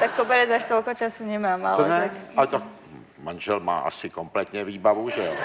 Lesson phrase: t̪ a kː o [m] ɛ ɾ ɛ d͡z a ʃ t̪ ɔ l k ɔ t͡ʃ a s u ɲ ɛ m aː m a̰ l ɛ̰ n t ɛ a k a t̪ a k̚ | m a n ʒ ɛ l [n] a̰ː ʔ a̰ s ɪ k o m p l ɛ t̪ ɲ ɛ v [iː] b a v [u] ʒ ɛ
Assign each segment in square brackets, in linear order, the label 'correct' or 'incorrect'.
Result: incorrect: b, incorrect: m, correct, correct

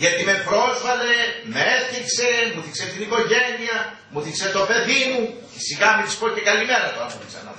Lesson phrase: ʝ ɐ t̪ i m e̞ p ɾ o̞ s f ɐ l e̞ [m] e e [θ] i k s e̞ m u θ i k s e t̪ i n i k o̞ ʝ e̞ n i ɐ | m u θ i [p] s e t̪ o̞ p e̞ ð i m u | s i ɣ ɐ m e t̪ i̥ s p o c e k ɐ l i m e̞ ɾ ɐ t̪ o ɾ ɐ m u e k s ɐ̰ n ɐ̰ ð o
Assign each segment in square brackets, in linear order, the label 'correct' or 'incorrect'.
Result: correct, correct, incorrect: k

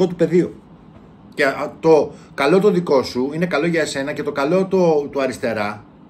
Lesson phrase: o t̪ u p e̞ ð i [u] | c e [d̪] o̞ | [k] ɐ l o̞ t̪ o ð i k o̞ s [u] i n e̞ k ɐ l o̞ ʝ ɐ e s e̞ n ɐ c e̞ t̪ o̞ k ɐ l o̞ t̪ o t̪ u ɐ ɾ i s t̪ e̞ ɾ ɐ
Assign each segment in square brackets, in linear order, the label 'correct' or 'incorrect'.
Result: incorrect: o, incorrect: t̪, correct, correct

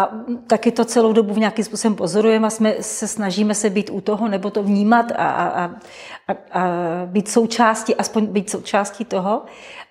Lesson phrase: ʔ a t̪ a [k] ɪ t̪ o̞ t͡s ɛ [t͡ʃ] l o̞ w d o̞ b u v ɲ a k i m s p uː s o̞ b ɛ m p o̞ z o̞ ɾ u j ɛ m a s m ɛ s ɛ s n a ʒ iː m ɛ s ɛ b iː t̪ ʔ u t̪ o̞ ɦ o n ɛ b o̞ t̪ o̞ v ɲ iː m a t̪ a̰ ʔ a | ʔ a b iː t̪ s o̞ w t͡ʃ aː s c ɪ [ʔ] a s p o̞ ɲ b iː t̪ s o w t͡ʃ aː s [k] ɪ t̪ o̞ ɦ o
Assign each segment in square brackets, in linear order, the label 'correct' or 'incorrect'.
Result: correct, incorrect: none, correct, incorrect: c

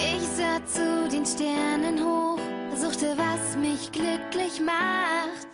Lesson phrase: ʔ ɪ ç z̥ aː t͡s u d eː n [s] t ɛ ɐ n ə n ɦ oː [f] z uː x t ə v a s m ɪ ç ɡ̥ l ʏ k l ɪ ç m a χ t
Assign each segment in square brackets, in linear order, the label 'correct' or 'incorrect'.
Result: incorrect: ʃ, correct

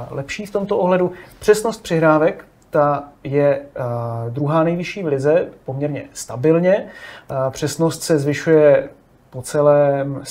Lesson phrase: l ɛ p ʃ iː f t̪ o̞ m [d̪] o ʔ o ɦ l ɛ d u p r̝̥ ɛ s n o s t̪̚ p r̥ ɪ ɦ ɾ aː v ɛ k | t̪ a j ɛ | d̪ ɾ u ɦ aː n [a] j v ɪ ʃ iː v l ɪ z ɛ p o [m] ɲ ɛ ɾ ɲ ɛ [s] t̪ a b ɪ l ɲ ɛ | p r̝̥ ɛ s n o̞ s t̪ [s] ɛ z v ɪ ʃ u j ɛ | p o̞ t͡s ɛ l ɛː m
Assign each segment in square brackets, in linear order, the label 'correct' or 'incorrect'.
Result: incorrect: t̪, incorrect: ɛ, correct, correct, correct

